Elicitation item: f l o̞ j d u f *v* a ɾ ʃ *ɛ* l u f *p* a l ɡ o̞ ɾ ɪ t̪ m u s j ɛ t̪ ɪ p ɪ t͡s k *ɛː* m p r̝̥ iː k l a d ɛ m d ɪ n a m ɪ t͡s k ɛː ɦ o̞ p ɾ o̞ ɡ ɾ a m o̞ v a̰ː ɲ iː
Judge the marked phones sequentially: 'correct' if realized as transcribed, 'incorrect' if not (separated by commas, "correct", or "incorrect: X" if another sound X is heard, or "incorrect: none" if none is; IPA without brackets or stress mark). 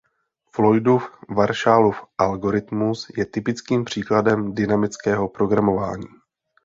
correct, incorrect: a, incorrect: ʔ, incorrect: iː